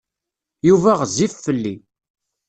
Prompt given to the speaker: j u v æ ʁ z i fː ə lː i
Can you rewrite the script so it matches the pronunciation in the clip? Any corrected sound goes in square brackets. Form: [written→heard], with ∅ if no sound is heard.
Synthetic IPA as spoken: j u v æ ʁ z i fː ə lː i